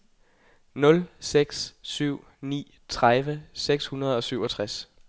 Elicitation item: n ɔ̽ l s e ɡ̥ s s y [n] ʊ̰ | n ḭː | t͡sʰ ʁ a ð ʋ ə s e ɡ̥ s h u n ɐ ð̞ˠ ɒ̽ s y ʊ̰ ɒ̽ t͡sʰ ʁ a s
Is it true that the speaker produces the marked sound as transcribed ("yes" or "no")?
no